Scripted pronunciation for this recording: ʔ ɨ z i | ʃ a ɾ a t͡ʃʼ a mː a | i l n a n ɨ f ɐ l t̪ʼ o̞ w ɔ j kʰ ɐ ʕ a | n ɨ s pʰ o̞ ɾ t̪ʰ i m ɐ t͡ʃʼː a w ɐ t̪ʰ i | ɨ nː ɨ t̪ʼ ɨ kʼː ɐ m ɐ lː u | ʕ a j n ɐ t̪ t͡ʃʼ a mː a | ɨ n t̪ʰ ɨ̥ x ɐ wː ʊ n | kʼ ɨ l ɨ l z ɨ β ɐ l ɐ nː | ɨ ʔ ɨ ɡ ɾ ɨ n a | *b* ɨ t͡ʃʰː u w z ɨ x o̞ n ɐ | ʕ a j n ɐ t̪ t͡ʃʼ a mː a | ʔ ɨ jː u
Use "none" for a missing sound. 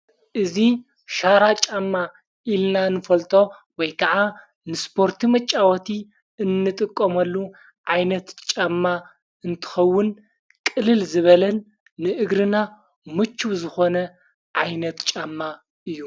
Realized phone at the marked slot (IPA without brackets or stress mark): m